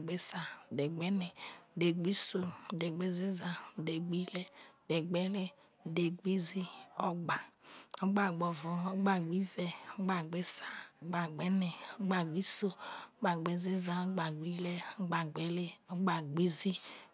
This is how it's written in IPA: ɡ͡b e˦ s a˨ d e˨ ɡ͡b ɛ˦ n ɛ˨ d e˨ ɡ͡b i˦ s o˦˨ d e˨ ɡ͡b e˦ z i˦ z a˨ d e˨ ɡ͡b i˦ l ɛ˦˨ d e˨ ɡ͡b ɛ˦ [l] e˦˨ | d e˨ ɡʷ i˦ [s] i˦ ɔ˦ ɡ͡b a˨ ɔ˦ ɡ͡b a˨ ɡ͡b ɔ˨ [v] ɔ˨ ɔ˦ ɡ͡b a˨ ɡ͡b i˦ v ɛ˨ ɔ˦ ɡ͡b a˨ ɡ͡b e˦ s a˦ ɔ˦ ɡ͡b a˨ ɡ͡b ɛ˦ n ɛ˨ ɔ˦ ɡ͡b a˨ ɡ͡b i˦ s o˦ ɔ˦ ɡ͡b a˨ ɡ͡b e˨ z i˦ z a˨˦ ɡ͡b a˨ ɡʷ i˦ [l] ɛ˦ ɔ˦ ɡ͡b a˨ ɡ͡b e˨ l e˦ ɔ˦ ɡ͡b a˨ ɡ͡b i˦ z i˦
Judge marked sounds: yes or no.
yes, no, yes, yes

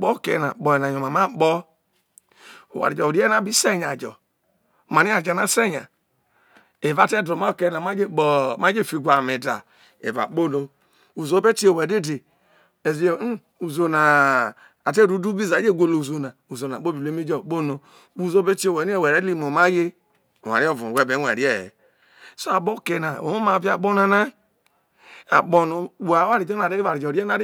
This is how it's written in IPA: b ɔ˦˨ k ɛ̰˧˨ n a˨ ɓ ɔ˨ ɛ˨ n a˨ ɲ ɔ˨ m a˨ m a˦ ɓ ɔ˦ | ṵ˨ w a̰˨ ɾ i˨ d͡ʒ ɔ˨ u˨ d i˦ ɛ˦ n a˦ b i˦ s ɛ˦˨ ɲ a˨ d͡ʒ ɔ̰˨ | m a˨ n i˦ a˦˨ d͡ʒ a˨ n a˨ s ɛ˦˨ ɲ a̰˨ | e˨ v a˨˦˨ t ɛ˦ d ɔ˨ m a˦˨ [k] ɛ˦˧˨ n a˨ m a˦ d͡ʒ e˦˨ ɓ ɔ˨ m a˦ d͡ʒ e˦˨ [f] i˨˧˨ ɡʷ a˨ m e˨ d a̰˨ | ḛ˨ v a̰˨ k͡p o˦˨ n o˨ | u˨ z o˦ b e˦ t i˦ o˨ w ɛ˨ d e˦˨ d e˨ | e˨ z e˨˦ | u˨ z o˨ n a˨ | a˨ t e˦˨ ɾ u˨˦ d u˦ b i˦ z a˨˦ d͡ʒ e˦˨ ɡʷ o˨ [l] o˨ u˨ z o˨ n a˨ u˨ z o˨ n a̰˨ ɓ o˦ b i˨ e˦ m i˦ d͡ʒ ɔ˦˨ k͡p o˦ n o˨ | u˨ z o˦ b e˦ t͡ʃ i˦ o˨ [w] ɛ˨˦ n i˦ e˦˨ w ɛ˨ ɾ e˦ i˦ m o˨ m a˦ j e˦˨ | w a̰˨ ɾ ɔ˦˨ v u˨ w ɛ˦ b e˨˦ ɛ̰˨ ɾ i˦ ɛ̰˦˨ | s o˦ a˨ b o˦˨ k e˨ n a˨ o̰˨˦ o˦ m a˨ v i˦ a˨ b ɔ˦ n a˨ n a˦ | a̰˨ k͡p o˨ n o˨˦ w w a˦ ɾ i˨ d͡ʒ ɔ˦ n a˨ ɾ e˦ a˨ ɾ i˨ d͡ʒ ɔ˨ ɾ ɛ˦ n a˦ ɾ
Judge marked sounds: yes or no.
yes, yes, yes, yes

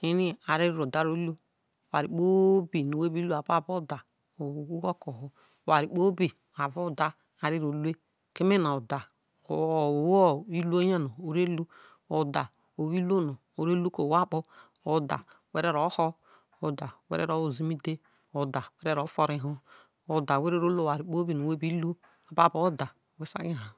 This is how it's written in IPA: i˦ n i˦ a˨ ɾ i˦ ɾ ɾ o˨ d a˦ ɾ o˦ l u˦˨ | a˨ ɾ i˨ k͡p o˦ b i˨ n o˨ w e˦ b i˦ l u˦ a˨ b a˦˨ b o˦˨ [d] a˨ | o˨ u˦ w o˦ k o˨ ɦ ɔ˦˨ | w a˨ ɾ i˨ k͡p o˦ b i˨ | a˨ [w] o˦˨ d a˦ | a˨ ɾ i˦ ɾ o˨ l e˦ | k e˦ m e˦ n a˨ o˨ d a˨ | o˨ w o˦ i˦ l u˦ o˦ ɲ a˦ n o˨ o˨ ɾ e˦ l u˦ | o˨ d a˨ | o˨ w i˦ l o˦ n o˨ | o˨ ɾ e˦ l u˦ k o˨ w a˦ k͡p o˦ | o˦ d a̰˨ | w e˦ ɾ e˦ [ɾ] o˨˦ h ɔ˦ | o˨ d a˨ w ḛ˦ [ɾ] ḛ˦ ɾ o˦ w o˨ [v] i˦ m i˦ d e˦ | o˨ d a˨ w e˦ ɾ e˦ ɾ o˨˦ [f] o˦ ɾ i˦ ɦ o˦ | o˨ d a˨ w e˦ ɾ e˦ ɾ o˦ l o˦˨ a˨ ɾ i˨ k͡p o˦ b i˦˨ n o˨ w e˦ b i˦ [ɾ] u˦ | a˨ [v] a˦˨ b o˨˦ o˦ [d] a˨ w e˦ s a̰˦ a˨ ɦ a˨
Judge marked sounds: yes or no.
yes, no, yes, yes, no, yes, no, no, yes

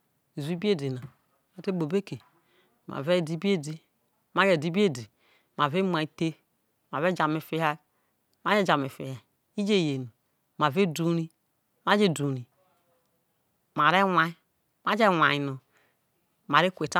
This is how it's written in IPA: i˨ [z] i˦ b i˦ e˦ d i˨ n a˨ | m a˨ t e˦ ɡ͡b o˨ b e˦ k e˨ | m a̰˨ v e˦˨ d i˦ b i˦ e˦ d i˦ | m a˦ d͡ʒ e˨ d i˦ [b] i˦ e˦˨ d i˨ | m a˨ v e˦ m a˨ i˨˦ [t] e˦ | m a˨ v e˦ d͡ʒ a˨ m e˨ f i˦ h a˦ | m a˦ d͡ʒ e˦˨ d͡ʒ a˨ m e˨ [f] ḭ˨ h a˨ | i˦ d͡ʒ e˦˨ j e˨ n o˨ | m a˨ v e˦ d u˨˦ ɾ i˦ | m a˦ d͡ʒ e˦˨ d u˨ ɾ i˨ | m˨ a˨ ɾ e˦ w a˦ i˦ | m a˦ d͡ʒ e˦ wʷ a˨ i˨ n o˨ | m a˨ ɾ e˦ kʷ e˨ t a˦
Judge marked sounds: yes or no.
yes, yes, yes, yes

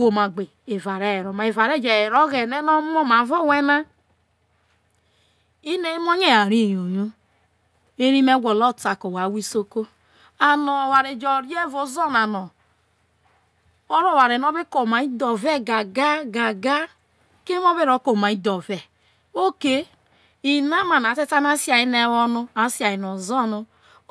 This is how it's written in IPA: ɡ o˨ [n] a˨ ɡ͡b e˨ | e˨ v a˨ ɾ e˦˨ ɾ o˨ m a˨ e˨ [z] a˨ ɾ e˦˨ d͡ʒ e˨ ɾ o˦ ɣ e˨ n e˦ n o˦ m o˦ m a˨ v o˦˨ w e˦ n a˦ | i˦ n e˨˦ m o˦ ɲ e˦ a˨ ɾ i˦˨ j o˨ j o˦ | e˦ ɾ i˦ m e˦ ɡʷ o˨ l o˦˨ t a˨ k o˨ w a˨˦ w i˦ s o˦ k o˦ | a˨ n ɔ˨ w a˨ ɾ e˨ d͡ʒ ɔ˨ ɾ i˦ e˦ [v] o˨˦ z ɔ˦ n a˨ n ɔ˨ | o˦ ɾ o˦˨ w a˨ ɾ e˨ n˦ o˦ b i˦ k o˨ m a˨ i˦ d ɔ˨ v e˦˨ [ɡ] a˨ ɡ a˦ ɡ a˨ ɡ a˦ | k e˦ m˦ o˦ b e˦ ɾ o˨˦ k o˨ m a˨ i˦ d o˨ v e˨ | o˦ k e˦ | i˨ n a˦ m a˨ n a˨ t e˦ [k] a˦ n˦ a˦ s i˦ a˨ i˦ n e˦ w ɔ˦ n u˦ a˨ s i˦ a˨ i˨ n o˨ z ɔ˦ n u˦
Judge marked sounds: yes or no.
no, no, yes, yes, no

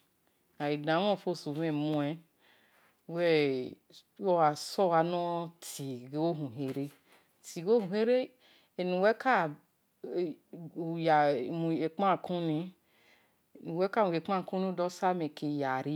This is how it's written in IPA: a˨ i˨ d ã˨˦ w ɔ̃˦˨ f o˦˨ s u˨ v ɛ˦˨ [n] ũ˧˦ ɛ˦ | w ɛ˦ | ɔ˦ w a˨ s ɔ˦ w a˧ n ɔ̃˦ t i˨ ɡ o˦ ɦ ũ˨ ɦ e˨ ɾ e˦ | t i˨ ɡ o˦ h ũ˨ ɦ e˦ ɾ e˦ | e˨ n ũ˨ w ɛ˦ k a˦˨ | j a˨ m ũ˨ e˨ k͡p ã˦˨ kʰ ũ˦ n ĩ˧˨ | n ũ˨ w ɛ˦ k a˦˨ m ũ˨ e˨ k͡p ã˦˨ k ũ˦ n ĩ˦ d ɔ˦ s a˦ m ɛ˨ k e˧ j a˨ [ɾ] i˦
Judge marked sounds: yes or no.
no, yes

